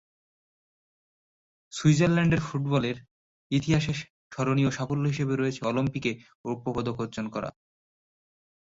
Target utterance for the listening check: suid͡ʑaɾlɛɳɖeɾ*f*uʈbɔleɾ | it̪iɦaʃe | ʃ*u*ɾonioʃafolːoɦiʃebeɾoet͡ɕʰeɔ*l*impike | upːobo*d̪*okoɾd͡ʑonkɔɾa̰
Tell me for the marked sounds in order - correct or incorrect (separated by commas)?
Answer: correct, incorrect, correct, correct